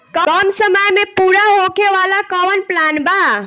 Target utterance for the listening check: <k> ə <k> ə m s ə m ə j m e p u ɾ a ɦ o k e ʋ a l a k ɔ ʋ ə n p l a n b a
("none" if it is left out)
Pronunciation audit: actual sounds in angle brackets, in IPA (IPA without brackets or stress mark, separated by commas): k, k